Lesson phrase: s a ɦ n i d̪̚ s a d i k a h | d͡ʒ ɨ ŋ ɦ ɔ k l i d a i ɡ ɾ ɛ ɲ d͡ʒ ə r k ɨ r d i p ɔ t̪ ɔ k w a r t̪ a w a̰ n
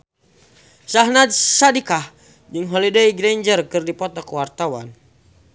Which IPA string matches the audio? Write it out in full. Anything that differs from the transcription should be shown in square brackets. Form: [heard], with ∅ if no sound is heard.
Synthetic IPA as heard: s a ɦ n [a] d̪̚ s a d i k a h | d͡ʒ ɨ ŋ ɦ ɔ [∅] l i d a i ɡ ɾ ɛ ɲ d͡ʒ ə r k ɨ r d i p ɔ t̪ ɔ k w a r t̪ a w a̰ n